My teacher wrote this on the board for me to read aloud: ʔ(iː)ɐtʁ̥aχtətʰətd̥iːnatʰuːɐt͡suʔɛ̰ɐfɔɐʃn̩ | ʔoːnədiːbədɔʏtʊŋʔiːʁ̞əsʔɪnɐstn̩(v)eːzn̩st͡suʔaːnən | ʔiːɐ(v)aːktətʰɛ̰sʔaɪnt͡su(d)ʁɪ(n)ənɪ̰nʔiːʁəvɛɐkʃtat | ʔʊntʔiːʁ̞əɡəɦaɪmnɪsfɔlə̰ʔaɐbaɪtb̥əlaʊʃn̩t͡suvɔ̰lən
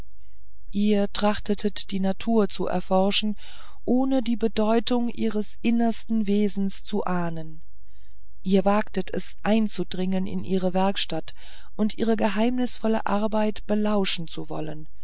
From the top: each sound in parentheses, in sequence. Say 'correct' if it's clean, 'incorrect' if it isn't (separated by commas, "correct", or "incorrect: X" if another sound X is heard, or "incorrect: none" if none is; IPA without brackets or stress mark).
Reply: correct, correct, correct, correct, incorrect: ŋ